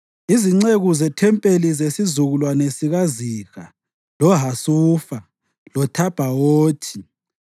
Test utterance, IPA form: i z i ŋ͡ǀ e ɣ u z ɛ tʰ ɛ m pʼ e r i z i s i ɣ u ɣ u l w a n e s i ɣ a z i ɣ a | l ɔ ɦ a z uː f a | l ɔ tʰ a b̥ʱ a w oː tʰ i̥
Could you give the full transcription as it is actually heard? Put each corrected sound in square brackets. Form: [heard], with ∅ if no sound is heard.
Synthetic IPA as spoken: i z i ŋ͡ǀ e ɣ u z ɛ tʰ ɛ m pʼ e [l] i z [e] s i [z] u ɣ u l w a n e s i ɣ a z i ɣ a | l ɔ ɦ a [s] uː f a | l ɔ tʰ a b̥ʱ a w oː tʰ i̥

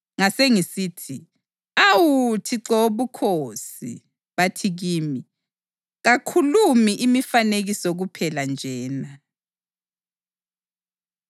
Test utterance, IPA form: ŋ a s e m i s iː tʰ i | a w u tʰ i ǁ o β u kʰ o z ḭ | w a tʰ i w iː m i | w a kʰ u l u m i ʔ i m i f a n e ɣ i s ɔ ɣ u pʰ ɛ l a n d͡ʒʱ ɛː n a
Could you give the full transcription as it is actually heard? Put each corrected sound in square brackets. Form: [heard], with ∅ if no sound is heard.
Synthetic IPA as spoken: ŋ a s e [ŋ] i s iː tʰ i | a w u tʰ i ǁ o β u kʰ o [s] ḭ | [β] a tʰ i [ɣ] iː m i | [ɣ] a kʰ u l u m i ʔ i m i f a n e ɣ i s ɔ ɣ u pʰ ɛ l a n d͡ʒʱ ɛː n a

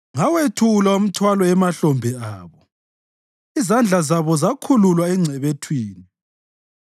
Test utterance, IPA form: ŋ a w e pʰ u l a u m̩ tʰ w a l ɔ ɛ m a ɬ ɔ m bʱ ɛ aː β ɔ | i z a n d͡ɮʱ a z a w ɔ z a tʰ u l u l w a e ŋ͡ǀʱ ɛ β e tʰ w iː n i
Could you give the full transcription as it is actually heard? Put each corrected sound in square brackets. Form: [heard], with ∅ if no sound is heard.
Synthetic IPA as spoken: ŋ a w e [tʰ] u l a u m̩ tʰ w a l ɔ ɛ m a ɬ ɔ m bʱ ɛ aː β ɔ | i z a n d͡ɮʱ a z a [β] ɔ z a [kʰ] u l u l w a [ɛ] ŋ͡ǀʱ ɛ β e tʰ w iː n i

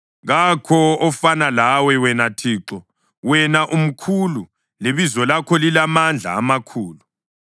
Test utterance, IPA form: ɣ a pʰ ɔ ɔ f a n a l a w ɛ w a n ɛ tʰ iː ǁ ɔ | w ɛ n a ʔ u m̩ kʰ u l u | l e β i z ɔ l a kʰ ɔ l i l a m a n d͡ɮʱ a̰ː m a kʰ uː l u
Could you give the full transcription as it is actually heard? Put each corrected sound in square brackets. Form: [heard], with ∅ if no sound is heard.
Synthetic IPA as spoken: ɣ a [kʰ] ɔ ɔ f a n a l a w ɛ w [ɛ] n [a] tʰ iː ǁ ɔ | w ɛ n a ʔ u m̩ kʰ u l u | l e β i z ɔ l a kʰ ɔ l i l a m a n d͡ɮʱ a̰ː m a kʰ uː l u

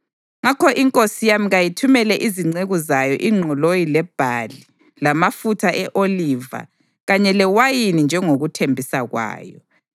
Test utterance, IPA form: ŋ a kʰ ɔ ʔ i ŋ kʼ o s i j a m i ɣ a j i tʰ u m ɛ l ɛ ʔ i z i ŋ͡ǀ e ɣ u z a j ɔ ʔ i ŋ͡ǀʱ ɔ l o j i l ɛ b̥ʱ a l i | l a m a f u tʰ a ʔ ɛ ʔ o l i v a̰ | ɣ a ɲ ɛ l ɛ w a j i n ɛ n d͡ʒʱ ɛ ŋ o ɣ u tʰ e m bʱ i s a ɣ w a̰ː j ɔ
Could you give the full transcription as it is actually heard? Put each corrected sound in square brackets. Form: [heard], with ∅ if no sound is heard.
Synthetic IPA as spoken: ŋ a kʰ ɔ ʔ i ŋ kʼ o s i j a m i ɣ a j i tʰ u m ɛ l ɛ ʔ i z i ŋ͡ǀ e ɣ u z a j ɔ ʔ i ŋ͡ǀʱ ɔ l o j i l ɛ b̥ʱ a l i | l a m a f u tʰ a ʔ ɛ ʔ o l i v a̰ | ɣ a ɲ ɛ l ɛ w a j i n [i] n d͡ʒʱ ɛ ŋ o ɣ u tʰ e m bʱ i s a ɣ w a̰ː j ɔ

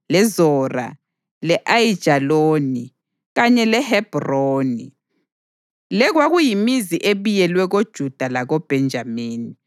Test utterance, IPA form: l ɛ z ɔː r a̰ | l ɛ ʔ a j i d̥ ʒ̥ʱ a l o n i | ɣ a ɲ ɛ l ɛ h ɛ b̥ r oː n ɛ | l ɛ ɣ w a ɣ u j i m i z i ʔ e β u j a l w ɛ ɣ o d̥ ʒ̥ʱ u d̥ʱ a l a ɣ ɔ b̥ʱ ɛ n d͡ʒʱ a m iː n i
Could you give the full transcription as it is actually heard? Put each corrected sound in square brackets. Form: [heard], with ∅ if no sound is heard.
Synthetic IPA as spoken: l ɛ z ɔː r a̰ | l ɛ ʔ a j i d̥ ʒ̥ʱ a l o n i | ɣ a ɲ ɛ l ɛ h ɛ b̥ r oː n [i] | l ɛ ɣ w a ɣ u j i m i z i ʔ e β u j [ɛ] l w ɛ ɣ o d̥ ʒ̥ʱ u d̥ʱ a l a ɣ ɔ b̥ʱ ɛ n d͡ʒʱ a m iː n i

